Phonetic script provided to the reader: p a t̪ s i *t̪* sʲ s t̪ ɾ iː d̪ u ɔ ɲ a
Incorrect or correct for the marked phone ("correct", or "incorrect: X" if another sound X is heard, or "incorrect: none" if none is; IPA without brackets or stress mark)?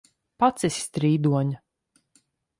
incorrect: none